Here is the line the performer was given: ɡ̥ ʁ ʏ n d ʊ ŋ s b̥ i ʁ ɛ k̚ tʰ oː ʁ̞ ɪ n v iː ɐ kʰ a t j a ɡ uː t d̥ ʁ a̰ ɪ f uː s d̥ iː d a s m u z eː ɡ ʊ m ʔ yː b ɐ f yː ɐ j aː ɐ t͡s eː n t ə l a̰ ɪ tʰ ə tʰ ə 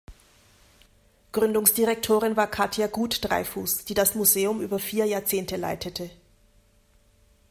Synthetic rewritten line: ɡ̥ ʁ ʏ n d ʊ ŋ s d̥ i ʁ ɛ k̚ tʰ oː ʁ̞ ɪ n v aː ɐ kʰ a t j a ɡ uː t d̥ ʁ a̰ ɪ f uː s d̥ iː d a s m u z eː ʊ m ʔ yː b ɐ f iː ɐ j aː ɐ t͡s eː n t ə l a̰ ɪ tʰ ə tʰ ə